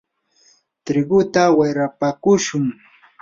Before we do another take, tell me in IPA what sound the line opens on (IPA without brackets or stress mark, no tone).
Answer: t̪